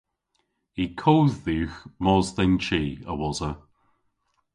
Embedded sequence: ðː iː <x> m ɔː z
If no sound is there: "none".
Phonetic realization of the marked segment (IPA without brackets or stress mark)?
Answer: x